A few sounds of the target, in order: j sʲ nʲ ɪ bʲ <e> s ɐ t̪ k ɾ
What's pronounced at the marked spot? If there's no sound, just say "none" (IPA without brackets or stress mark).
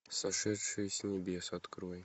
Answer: e